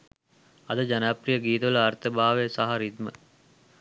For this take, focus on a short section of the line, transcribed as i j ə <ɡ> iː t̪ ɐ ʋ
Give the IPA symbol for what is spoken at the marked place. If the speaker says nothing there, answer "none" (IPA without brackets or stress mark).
ɡ